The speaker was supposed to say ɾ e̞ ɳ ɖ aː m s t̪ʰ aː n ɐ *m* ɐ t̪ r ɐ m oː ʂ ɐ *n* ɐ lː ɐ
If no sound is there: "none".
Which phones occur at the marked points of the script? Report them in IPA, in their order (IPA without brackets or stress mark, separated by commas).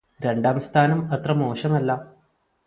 m, m